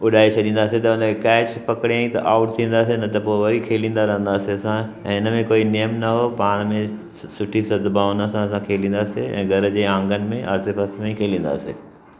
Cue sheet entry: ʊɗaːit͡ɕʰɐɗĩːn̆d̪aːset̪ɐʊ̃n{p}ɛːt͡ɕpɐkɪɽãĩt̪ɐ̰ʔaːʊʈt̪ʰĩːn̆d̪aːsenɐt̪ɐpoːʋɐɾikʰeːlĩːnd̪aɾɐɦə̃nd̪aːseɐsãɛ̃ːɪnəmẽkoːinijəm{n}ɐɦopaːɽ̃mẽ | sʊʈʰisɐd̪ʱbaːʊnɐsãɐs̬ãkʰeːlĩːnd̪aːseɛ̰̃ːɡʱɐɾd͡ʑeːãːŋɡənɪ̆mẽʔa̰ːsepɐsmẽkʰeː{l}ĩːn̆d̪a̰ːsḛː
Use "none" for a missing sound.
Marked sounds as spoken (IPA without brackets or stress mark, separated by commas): k, n, l